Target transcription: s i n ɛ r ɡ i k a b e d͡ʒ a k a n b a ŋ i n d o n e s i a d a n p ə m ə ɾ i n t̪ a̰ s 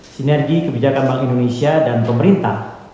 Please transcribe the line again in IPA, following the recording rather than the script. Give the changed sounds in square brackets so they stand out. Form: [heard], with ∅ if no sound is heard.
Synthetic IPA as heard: s i n ɛ r ɡ i k [ə] b [i] d͡ʒ a k a n b a ŋ i n d o n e s i a d a n p ə m ə ɾ i n t̪ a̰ [h]